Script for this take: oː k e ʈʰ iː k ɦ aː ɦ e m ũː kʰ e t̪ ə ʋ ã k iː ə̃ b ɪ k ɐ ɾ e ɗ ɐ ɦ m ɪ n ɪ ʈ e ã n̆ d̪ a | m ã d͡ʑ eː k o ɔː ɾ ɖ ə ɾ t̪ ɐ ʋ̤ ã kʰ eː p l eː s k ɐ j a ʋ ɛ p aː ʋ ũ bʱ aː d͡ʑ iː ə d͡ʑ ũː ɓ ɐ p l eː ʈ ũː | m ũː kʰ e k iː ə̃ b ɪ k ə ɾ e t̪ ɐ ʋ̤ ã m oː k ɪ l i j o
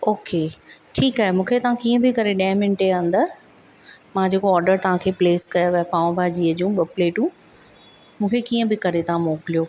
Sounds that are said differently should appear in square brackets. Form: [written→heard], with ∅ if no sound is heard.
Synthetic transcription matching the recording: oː k e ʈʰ iː k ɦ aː ɦ e m ũː kʰ e t̪ [ə→ɐ] ʋ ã k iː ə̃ b ɪ k ɐ ɾ e ɗ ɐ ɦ m ɪ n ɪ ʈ e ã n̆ d̪ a | m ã d͡ʑ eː k o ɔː ɾ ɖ ə ɾ t̪ ɐ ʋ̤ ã kʰ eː p l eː s k ɐ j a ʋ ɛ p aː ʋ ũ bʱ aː d͡ʑ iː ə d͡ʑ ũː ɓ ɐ p l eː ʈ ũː | m ũː kʰ e k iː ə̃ b ɪ k [ə→ɐ] ɾ e t̪ ɐ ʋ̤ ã m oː k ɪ l i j o